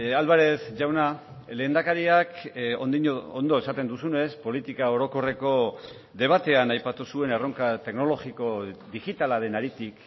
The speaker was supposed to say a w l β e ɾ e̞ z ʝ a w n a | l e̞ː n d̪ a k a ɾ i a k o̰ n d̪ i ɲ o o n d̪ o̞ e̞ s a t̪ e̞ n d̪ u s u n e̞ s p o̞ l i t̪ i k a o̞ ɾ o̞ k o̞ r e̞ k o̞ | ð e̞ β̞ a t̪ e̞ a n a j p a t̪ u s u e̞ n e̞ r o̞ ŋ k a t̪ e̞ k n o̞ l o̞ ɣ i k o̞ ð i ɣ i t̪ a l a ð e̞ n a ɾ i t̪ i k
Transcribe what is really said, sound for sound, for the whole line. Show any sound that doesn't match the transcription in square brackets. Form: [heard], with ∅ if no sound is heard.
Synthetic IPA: a [∅] l β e ɾ e̞ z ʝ a w n a | l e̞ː n d̪ a k a ɾ i a k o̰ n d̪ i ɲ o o n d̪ o̞ e̞ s a t̪ e̞ n d̪ u s u n e̞ s p o̞ l i t̪ i k a o̞ ɾ o̞ k o̞ r e̞ k o̞ | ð e̞ β̞ a t̪ e̞ a n a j p a t̪ u s u e̞ n e̞ r o̞ ŋ k a t̪ e̞ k n o̞ l o̞ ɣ i k o̞ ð i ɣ i t̪ a l a ð e̞ n a ɾ i t̪ i k